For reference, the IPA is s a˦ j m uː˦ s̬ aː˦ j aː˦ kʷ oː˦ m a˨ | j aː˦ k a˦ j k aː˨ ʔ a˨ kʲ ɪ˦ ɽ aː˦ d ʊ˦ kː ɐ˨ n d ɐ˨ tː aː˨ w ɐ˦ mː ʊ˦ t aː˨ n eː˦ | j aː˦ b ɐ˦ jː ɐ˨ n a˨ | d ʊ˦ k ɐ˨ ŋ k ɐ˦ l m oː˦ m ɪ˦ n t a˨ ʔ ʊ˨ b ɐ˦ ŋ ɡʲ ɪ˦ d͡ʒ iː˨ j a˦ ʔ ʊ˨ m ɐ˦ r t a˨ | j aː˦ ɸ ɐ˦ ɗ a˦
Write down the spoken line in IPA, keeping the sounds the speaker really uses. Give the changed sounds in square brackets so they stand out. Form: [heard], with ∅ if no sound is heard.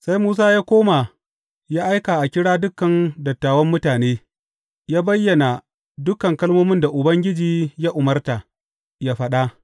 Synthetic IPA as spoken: s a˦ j m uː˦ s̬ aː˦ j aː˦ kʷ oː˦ m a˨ | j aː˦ [ʔ] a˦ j k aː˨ ʔ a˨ kʲ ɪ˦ ɽ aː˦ d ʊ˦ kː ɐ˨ n d ɐ˨ tː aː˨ w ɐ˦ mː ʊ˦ t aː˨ n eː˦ | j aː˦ b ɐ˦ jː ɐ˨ n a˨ | d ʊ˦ k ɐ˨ ŋ k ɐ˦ l m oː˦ m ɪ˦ n [d] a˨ ʔ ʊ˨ b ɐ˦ ŋ ɡʲ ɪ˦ d͡ʒ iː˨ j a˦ ʔ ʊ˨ m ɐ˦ r t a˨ | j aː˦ ɸ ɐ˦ ɗ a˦

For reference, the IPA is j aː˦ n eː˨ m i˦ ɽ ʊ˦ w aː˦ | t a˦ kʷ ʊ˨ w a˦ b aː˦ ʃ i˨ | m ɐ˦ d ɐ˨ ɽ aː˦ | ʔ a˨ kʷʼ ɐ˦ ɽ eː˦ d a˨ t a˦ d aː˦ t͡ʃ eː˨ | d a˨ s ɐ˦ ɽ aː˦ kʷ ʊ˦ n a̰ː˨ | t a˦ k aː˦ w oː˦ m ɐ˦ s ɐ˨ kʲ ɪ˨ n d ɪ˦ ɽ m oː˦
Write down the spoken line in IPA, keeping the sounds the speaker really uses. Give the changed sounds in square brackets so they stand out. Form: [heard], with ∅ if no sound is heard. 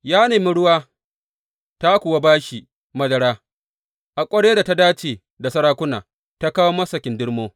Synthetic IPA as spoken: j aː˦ n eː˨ m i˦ ɽ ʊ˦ w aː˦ | t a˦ kʷ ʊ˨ w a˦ b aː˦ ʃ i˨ | m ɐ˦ d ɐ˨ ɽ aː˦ | ʔ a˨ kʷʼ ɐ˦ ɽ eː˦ d a˨ t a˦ d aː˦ t͡ʃ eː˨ | d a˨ s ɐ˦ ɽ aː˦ kʷ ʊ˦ n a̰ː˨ | t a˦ k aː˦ w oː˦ m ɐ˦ s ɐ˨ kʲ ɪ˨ n d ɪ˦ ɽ m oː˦

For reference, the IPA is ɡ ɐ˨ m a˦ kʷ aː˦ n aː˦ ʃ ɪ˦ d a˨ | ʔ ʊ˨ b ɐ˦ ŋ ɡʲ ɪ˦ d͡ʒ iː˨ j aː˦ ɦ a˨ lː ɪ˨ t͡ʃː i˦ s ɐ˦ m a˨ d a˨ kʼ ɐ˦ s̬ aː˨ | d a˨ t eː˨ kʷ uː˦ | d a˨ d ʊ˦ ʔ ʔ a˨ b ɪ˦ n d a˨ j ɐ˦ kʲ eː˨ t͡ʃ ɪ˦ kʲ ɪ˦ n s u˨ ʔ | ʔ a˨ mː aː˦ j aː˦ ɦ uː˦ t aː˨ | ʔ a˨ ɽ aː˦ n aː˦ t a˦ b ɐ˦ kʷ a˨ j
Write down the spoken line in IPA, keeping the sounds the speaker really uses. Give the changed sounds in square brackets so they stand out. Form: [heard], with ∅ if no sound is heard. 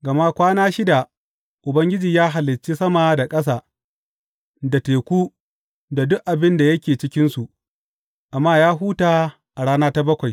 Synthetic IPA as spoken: ɡ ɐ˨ m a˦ kʷ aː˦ n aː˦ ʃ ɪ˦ d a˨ | ʔ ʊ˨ b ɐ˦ ŋ ɡʲ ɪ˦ d͡ʒ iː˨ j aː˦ ɦ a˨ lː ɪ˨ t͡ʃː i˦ s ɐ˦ m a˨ d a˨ kʼ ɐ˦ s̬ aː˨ | d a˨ t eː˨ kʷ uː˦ | d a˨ d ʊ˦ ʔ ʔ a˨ b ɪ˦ n d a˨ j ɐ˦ kʲ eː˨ t͡ʃ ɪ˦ kʲ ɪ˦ n s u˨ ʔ | ʔ a˨ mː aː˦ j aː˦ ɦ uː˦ t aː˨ | ʔ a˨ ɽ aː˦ n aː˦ t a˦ b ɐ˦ kʷ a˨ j

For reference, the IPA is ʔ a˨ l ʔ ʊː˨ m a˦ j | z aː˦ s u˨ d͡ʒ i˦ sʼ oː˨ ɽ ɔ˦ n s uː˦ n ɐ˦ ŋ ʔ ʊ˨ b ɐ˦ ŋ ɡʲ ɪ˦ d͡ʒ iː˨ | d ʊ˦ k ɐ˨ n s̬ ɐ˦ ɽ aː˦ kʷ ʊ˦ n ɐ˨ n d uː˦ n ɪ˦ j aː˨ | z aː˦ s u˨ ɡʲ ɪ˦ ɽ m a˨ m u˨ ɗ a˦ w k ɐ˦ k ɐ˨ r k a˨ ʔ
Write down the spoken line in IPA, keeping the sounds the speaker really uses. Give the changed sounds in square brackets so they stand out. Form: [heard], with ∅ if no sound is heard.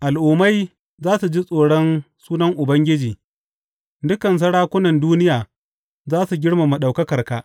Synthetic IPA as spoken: ʔ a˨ l ʔ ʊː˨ m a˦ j | z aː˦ s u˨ d͡ʒ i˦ sʼ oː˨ ɽ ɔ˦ n s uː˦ n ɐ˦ ŋ ʔ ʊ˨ b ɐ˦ ŋ ɡʲ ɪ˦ d͡ʒ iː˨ | d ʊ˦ k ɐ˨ n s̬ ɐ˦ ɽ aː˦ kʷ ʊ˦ n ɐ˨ n d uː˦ n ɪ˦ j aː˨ | z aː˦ s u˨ ɡʲ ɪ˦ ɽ m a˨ m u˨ ɗ [a˨] w k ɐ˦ k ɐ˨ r k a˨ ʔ

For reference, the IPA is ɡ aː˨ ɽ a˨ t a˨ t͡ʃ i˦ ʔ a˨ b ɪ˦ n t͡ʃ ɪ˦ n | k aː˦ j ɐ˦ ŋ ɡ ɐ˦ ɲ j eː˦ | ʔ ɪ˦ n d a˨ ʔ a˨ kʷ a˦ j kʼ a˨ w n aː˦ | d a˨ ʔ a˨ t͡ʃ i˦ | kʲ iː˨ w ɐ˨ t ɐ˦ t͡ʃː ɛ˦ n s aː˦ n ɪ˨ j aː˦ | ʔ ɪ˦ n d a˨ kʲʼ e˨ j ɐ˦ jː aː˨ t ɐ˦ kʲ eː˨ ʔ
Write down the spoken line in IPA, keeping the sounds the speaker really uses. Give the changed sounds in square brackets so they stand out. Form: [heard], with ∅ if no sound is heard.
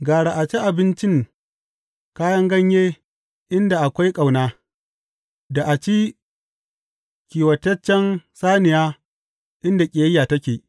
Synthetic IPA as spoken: ɡ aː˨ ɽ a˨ [ʔ] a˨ t͡ʃ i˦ ʔ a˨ b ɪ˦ n t͡ʃ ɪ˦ [ŋ] | k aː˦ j ɐ˦ ŋ ɡ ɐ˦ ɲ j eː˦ | ʔ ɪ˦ n d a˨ ʔ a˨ kʷ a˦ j kʼ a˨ w n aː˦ | d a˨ ʔ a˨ t͡ʃ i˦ | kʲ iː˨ w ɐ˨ t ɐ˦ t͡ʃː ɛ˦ n s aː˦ n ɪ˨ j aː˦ | ʔ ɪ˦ n d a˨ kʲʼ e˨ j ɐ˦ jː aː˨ t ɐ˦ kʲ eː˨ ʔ

